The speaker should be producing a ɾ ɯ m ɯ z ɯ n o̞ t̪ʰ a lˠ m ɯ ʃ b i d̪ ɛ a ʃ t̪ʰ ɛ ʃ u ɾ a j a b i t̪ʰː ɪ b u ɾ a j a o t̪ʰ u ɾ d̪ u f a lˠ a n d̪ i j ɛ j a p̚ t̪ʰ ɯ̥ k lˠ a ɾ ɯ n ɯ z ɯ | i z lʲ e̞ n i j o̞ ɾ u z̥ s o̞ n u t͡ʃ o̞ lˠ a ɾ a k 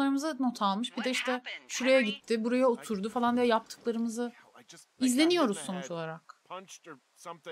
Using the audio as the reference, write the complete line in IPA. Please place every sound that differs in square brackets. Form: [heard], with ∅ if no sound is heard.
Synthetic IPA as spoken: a ɾ ɯ m ɯ z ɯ n o̞ t̪ʰ a lˠ m ɯ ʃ b i d̪ ɛ [i] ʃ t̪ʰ ɛ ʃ u ɾ a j a [ɟ] i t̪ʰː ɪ b u ɾ a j a o t̪ʰ u ɾ d̪ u f a lˠ a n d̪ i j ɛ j a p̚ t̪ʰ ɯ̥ k lˠ a ɾ ɯ [m] ɯ z ɯ | i z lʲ e̞ n i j o̞ ɾ u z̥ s o̞ n u t͡ʃ o̞ lˠ a ɾ a k